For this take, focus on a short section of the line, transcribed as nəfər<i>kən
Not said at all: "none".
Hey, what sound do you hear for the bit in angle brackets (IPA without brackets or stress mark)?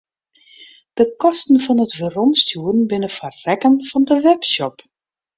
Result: ɛ